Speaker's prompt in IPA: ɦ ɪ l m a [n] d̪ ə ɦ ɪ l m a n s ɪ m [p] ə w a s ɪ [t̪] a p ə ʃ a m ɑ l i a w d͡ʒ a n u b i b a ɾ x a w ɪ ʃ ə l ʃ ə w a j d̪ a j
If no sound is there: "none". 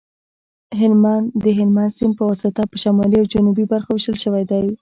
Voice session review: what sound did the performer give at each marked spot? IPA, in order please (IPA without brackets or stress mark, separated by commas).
n, p, t̪